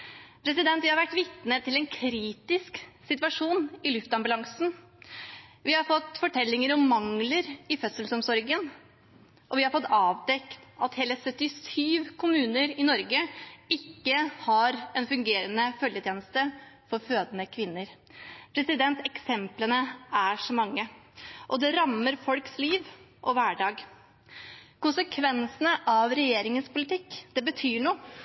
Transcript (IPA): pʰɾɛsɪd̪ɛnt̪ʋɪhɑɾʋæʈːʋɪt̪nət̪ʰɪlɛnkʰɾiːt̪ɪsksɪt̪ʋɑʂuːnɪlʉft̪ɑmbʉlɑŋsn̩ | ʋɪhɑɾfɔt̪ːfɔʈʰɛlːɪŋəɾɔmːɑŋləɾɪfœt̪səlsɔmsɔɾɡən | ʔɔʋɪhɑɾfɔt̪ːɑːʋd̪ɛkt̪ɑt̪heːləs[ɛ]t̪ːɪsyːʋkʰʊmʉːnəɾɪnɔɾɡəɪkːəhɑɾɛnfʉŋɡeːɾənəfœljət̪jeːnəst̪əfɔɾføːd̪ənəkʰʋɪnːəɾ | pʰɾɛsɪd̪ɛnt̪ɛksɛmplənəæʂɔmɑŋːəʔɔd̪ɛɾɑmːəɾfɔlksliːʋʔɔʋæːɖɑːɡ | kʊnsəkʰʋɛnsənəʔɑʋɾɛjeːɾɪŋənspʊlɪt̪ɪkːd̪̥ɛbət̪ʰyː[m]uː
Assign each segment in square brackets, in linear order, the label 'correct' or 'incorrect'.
incorrect: œ, incorrect: ɳ

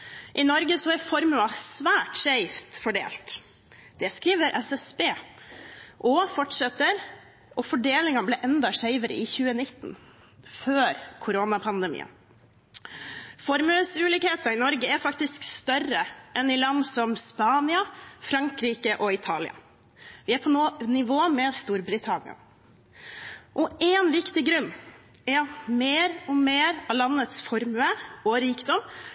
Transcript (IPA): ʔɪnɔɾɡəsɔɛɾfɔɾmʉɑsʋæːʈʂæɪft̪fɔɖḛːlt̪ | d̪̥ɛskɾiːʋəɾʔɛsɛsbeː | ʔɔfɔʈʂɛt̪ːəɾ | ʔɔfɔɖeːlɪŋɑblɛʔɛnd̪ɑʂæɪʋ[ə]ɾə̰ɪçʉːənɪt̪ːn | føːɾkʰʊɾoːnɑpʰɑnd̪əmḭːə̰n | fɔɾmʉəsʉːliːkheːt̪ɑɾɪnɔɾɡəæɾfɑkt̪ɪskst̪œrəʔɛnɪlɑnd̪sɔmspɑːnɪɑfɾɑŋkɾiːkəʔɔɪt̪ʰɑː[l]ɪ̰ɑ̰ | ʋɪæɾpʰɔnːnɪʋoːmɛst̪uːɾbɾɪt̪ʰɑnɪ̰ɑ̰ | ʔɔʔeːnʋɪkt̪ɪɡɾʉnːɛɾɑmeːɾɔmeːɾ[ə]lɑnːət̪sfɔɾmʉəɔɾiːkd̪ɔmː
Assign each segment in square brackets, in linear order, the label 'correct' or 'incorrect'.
correct, correct, incorrect: ɑ

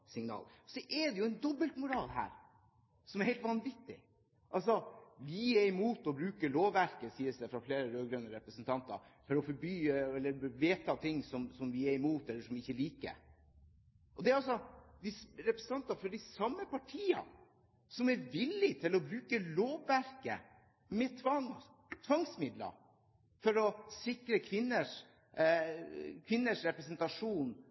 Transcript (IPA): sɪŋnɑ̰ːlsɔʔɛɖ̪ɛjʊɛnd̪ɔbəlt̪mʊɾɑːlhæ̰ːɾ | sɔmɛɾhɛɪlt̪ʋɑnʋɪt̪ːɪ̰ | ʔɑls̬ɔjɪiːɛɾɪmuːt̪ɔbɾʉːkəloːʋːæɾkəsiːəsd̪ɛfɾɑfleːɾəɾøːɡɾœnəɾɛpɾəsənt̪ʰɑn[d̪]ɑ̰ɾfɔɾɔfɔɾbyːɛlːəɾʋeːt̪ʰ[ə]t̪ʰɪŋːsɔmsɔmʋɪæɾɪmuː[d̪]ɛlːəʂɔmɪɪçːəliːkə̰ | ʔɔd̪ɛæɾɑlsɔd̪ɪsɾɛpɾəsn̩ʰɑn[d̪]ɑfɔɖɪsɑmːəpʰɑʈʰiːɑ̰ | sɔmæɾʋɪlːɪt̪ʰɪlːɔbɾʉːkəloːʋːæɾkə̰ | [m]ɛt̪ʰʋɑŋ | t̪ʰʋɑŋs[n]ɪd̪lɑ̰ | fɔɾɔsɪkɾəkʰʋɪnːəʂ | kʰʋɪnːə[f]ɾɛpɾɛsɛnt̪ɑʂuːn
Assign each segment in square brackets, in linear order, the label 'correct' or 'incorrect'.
incorrect: t̪, incorrect: ɑ, incorrect: t̪, incorrect: t̪, correct, incorrect: m, incorrect: ʂ

